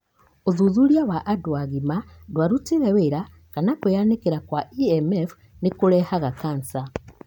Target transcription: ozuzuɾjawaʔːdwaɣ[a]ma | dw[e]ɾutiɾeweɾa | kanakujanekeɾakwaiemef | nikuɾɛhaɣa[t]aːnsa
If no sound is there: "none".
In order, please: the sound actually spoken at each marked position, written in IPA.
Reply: i, a, k

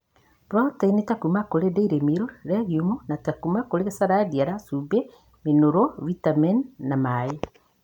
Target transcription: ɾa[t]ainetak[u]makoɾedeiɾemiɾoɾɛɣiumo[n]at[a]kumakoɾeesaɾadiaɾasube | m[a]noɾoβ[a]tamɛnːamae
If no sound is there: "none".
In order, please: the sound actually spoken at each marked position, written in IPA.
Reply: t, u, n, a, e, i

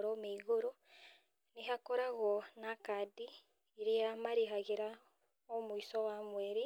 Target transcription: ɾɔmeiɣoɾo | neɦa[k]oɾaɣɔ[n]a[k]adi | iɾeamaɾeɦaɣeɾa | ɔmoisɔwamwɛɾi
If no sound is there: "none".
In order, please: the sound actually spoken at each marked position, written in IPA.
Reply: k, n, k

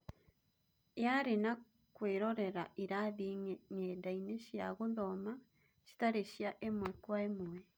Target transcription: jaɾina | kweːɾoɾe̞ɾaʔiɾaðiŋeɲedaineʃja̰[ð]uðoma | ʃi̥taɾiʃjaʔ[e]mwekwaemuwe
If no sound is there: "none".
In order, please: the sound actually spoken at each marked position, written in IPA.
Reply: ɣ, e

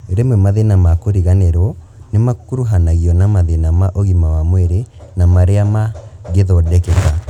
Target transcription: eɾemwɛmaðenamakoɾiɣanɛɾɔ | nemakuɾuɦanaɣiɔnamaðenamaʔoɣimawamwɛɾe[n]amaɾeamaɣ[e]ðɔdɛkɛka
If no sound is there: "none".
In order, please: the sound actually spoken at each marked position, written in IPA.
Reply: n, e

